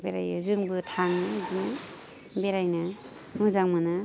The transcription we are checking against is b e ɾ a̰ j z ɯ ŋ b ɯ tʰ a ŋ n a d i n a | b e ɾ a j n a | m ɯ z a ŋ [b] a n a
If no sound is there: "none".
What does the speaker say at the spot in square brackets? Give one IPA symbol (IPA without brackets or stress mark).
m